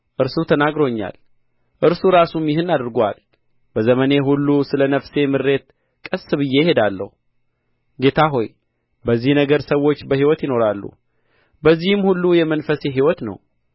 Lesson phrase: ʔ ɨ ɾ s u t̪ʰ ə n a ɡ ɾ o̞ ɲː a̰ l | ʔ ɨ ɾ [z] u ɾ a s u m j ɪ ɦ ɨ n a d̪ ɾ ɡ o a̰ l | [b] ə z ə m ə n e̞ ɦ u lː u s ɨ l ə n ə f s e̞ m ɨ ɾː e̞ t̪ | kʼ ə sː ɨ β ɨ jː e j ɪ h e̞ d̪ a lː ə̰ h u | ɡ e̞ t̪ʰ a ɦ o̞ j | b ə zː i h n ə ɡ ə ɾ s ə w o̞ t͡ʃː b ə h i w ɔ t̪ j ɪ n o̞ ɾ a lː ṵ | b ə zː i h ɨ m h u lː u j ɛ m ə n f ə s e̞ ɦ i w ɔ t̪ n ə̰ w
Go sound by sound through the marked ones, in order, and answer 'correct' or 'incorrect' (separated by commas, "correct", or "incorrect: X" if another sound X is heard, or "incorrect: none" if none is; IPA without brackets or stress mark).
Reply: incorrect: s, correct